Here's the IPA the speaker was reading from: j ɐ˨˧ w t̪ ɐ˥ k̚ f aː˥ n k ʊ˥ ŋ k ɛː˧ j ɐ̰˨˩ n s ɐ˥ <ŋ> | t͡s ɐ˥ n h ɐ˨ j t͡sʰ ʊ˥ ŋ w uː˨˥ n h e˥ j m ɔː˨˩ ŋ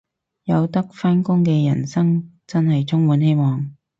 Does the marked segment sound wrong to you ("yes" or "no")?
no